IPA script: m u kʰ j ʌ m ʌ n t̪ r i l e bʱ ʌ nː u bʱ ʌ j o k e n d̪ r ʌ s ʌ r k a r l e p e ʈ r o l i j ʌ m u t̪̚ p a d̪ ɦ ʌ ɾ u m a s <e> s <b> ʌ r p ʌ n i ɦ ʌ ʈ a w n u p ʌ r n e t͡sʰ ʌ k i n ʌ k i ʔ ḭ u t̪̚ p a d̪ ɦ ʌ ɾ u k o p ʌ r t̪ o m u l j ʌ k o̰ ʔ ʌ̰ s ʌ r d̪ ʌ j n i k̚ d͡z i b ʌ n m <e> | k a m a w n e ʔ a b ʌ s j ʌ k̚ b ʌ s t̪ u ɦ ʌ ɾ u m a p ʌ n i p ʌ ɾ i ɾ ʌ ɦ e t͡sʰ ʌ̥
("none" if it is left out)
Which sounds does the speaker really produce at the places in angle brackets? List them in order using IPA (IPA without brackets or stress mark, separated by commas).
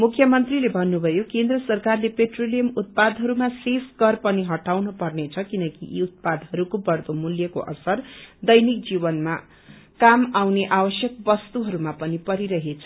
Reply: e, ɡ, a